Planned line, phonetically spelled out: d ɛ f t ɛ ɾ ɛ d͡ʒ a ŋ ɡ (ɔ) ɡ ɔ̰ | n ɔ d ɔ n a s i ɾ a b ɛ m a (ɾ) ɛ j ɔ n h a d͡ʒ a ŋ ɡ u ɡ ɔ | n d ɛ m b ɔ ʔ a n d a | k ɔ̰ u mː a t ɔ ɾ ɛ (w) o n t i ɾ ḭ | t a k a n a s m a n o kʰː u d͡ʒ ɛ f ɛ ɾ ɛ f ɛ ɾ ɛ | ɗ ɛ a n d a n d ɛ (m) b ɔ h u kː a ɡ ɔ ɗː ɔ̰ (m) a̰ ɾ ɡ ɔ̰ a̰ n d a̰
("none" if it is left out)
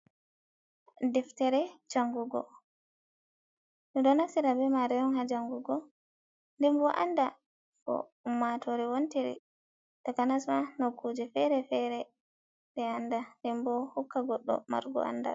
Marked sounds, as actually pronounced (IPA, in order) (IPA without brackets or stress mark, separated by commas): u, ɾ, w, m, m